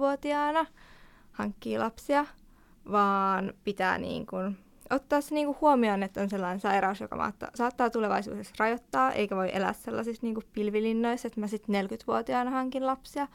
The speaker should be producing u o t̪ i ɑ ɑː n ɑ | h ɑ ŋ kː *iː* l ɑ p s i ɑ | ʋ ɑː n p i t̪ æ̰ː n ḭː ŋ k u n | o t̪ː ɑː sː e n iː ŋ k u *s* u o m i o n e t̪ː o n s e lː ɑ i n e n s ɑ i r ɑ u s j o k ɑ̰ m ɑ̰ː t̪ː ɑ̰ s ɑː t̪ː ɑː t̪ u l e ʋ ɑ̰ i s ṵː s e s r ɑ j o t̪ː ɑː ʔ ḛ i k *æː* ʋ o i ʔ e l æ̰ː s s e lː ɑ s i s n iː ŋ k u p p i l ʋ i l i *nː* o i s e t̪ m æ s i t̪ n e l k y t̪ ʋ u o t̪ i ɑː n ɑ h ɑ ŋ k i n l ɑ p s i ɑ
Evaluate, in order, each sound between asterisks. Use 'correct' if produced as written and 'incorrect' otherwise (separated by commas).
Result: correct, incorrect, incorrect, correct